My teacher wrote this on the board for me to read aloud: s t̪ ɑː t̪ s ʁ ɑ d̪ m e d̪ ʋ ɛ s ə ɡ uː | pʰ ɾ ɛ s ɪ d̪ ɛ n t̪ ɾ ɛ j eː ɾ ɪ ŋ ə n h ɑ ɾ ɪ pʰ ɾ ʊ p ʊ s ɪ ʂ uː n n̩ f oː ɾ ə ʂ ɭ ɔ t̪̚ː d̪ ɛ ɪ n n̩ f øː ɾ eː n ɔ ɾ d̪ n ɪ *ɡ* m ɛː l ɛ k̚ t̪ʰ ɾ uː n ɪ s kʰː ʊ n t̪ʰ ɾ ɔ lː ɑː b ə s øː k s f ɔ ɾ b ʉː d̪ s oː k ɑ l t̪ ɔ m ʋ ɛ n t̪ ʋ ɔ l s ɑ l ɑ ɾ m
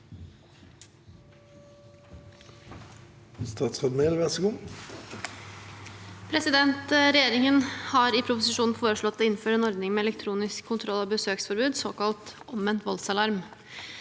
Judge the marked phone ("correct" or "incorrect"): incorrect